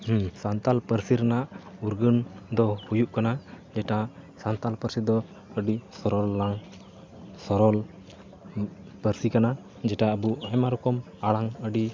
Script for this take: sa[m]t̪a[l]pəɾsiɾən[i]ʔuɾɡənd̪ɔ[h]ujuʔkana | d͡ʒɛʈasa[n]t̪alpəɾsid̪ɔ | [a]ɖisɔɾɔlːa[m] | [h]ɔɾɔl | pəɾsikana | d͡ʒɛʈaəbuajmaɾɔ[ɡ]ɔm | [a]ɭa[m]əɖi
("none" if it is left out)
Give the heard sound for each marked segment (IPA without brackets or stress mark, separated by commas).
n, l, a, h, n, ə, ŋ, s, k, a, ŋ